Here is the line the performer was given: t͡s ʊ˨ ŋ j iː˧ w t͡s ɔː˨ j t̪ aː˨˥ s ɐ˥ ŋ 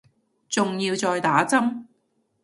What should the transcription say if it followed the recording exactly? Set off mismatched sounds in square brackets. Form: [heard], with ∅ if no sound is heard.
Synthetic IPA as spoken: t͡s ʊ˨ ŋ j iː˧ w t͡s ɔː˨ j t̪ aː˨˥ [t͡s] ɐ˥ [m]